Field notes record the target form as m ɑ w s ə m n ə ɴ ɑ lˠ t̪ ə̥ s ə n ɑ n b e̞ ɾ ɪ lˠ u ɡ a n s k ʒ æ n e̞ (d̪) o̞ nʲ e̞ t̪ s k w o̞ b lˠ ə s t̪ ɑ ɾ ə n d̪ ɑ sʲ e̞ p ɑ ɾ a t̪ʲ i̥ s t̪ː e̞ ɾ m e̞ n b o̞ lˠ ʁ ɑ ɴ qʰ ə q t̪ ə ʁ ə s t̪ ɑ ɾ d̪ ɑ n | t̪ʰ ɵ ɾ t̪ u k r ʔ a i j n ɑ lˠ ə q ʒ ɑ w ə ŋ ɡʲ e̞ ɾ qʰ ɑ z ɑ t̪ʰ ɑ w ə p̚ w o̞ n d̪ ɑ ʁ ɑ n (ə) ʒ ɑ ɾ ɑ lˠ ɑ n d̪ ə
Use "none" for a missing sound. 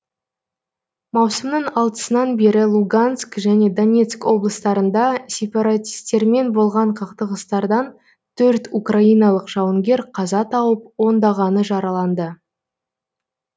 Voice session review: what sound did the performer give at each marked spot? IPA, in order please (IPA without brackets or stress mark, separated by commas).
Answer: d̪, ə